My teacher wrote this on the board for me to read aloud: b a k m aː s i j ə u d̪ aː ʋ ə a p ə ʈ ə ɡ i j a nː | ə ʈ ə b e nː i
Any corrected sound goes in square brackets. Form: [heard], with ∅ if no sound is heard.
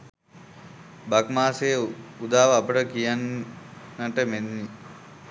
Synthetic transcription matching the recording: b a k m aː s [e] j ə u d̪ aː ʋ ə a p ə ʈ ə [k] i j a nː | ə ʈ ə [m] e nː i